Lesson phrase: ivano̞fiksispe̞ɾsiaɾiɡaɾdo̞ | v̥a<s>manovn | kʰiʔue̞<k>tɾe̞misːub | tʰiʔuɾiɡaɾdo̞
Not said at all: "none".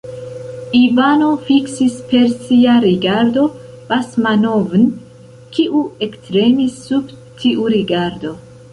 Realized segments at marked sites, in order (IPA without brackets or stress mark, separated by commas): s, k